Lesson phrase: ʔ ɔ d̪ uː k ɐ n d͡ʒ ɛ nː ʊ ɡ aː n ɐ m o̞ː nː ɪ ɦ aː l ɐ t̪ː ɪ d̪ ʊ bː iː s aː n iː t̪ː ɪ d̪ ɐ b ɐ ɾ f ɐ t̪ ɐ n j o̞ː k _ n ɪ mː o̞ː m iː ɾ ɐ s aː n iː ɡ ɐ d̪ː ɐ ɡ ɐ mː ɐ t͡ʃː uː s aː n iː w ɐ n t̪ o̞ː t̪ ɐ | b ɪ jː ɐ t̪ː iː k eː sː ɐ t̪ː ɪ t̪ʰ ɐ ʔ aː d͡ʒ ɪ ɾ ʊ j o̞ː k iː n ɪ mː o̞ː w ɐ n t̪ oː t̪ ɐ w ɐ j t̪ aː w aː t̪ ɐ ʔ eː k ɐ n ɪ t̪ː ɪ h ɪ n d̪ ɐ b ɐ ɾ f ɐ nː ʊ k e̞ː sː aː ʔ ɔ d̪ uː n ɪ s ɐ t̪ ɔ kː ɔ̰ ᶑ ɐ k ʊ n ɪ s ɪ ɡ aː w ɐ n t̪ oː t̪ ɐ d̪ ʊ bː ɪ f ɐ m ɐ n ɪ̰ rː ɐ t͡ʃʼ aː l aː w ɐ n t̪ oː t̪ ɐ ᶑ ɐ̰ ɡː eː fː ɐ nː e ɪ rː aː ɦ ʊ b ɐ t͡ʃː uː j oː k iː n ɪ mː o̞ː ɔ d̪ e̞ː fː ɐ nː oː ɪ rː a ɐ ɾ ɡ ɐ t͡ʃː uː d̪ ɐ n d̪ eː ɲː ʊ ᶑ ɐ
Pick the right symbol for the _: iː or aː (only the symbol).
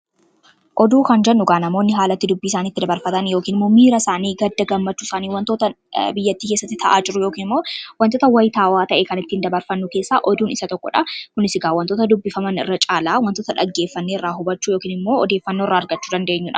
iː